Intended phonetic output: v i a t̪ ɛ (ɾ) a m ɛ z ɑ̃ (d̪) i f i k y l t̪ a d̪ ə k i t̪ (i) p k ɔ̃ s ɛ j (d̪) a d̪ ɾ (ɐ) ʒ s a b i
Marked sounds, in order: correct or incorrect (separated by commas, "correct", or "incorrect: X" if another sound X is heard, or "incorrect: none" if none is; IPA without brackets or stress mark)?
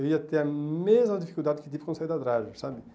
incorrect: none, correct, correct, correct, incorrect: a